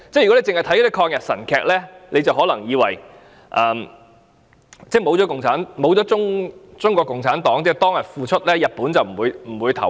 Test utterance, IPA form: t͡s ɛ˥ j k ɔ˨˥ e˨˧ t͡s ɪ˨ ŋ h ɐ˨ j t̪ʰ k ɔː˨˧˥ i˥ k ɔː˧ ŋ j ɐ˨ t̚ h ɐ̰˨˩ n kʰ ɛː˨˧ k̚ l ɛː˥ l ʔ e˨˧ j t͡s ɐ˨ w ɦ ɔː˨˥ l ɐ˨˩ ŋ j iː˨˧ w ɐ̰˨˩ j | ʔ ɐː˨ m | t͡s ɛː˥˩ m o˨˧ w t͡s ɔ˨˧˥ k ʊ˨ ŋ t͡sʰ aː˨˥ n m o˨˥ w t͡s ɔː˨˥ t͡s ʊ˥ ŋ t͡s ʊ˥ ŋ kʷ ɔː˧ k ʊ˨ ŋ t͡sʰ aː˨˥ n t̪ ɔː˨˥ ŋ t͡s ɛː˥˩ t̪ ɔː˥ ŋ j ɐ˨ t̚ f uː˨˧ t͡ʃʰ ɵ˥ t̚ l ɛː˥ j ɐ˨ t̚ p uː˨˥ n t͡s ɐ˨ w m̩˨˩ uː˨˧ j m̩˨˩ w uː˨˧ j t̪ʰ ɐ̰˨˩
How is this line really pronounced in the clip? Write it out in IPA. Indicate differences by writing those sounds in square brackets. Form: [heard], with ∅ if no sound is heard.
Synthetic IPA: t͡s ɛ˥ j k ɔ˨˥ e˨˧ t͡s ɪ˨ ŋ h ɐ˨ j t̪ʰ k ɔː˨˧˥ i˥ [kʰ] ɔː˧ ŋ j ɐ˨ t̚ [s] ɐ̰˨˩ n kʰ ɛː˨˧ k̚ l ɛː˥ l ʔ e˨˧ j t͡s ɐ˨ w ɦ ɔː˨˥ l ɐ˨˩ ŋ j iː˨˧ w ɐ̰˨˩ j | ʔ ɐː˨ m | t͡s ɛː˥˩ m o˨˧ w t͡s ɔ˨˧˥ k ʊ˨ ŋ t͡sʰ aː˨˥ n m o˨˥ w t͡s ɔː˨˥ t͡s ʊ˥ ŋ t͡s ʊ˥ ŋ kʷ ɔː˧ k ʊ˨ ŋ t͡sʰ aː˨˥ n t̪ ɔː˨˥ ŋ t͡s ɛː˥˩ t̪ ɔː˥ ŋ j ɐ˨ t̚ f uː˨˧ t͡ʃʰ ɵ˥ t̚ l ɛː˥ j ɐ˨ t̚ p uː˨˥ n t͡s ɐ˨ w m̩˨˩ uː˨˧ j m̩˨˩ w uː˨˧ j t̪ʰ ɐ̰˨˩